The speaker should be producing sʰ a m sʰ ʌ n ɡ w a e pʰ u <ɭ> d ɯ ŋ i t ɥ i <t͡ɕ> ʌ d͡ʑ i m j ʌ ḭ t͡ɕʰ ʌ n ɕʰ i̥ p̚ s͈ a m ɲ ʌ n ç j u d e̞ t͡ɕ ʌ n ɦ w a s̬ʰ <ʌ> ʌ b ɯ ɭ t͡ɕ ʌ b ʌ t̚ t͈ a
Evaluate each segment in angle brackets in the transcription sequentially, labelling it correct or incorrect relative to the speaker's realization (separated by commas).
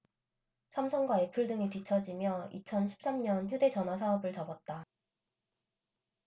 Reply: correct, incorrect, incorrect